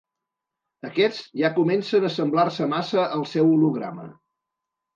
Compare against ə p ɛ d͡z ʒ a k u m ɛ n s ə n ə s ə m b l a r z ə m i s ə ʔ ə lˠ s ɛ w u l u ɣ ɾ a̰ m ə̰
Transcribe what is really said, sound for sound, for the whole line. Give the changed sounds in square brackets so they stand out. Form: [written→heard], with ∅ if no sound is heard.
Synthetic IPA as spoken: ə [p→k] ɛ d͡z ʒ a k u m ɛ n s ə n ə s ə m b l a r [z→s] ə m [i→a] s ə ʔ ə lˠ s ɛ w u l u ɣ ɾ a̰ m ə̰